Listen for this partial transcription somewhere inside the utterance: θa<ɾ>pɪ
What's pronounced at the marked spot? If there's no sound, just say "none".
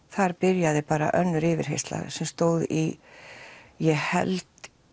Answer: ɾ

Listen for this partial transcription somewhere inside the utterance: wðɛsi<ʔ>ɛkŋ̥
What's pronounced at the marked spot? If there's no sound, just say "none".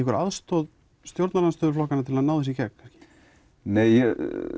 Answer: c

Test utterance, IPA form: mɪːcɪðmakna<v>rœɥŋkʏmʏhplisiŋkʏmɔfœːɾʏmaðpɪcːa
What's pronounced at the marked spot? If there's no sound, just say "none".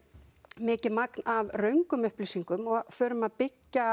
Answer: v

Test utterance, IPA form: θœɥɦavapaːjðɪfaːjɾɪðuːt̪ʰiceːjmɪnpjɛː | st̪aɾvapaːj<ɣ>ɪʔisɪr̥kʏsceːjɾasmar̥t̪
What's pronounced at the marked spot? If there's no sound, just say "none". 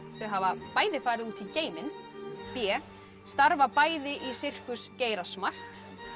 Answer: ð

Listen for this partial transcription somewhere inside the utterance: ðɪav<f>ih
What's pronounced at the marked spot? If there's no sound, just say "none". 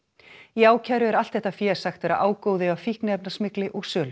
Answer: f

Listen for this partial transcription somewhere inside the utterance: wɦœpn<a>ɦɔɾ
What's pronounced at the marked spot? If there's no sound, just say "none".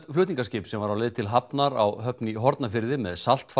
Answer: i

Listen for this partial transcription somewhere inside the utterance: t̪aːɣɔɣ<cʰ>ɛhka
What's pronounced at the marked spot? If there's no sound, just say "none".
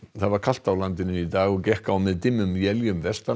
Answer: c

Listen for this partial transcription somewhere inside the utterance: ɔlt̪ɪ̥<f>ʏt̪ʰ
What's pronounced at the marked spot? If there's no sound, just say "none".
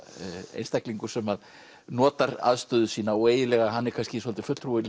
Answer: f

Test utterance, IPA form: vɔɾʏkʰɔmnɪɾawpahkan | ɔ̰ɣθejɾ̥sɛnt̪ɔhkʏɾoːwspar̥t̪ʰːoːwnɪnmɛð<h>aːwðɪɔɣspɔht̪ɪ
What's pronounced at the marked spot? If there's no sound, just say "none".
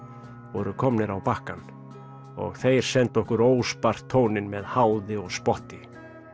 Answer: h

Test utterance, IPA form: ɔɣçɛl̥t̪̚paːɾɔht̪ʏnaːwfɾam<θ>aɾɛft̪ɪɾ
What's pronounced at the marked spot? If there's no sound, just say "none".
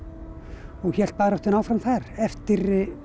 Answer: θ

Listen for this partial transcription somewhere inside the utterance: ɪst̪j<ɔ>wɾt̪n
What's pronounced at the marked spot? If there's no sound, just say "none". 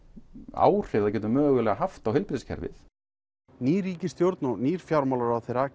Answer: o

